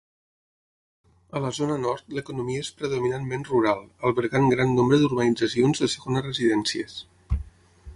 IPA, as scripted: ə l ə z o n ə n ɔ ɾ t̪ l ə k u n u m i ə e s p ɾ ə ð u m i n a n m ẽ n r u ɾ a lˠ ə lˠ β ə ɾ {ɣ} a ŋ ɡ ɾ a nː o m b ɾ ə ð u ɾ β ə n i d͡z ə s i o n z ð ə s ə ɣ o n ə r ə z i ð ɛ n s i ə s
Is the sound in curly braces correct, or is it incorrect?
correct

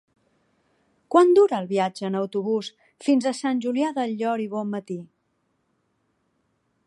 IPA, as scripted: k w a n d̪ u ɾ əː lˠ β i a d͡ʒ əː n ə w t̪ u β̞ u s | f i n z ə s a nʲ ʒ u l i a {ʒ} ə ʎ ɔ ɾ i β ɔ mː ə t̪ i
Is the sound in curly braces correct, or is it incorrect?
incorrect: ð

